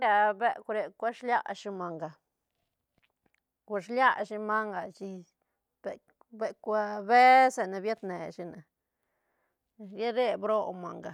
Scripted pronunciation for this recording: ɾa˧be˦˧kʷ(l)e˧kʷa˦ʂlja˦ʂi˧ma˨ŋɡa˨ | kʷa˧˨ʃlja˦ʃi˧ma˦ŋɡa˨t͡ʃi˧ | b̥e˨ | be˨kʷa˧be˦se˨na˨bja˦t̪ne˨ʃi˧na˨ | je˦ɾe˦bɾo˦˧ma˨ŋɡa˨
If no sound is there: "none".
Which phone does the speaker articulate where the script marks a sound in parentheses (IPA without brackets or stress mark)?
ɾ